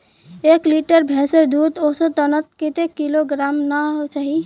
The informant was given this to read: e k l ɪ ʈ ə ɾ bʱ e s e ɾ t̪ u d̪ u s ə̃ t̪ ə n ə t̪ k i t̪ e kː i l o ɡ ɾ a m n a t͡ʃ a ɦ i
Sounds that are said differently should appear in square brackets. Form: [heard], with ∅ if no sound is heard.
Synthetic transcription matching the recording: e k l [i] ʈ ə ɾ bʱ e s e ɾ [d̪] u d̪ [o] s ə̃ t̪ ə n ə t̪ k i t̪ e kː i l o ɡ ɾ a m n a t͡ʃ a ɦ i